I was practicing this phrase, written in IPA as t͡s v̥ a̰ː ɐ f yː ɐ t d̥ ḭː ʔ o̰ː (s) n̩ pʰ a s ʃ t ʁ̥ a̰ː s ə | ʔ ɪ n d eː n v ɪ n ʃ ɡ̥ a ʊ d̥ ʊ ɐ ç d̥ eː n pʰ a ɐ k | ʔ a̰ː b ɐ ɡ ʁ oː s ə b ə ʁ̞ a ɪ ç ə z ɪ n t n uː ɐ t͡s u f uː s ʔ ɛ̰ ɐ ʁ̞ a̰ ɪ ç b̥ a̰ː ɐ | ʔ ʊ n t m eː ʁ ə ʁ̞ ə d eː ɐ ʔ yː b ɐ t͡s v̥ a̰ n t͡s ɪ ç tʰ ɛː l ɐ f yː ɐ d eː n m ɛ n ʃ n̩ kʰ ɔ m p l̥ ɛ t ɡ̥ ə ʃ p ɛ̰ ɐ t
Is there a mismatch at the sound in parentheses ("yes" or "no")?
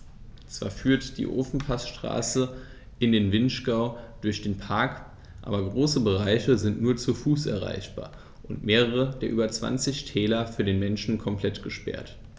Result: yes